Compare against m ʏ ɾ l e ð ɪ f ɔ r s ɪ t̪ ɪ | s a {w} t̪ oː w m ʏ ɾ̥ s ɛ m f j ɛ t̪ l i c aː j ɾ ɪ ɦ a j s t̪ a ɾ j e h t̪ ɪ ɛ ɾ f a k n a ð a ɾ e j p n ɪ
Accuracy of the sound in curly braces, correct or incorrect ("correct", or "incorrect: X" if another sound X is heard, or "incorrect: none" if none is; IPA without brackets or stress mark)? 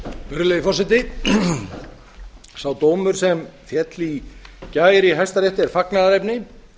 correct